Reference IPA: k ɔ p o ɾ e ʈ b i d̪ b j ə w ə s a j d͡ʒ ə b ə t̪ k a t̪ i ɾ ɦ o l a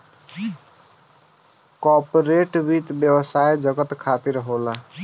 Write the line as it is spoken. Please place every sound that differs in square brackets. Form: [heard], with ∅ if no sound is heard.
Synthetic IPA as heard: k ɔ p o ɾ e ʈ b i [t̪] b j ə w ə s a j d͡ʒ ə [ɡ] ə t̪ [kʰ] a t̪ i ɾ ɦ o l a